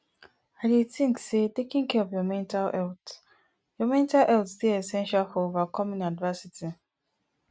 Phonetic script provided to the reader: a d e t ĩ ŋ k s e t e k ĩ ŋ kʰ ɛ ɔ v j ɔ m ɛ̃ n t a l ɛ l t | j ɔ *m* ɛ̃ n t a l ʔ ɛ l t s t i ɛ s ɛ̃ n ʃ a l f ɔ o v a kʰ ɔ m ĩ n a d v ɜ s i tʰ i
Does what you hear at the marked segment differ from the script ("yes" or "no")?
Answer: no